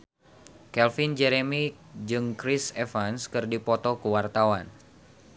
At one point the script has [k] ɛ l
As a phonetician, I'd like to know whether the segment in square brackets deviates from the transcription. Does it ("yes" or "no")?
no